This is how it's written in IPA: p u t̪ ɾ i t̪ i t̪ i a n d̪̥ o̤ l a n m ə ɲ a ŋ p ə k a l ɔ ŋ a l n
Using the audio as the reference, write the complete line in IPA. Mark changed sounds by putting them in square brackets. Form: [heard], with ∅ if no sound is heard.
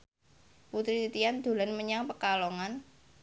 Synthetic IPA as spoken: p u t̪ ɾ i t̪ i t̪ i a n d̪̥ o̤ l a n m ə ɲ a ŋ p ə k a l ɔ ŋ a [∅] n